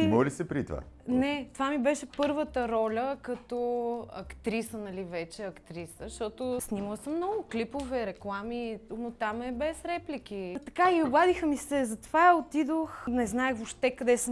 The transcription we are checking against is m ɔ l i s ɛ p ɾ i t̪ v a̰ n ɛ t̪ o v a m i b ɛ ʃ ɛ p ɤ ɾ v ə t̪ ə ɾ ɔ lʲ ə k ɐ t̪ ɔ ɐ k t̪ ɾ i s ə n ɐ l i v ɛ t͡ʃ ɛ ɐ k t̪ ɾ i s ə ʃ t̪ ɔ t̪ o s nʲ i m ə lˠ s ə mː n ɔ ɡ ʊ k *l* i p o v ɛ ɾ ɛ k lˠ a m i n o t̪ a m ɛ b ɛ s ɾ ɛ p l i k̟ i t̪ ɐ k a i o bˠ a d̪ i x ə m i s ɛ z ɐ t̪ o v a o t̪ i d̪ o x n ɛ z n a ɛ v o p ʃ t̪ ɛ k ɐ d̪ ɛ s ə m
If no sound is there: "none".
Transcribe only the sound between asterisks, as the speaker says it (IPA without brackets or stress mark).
l